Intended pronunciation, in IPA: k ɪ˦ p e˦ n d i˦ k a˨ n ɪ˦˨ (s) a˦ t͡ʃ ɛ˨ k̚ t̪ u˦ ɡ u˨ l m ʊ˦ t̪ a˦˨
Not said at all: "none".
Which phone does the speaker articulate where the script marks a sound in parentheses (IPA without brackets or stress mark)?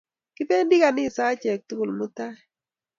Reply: s